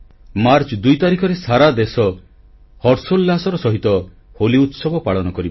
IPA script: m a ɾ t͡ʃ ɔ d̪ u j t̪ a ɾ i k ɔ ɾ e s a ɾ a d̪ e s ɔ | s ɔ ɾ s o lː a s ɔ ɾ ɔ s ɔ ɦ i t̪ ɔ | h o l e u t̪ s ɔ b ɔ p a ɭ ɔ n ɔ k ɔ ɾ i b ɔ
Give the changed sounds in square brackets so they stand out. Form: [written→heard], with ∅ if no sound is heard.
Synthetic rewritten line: m a ɾ t͡ʃ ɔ d̪ u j t̪ a ɾ i [k→kʰ] ɔ ɾ e s a ɾ a d̪ e s ɔ | [s→h] ɔ ɾ s o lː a s ɔ ɾ ɔ s ɔ ɦ i t̪ ɔ | h o l [e→i] u t̪ s ɔ b ɔ p a ɭ ɔ n ɔ k ɔ ɾ i b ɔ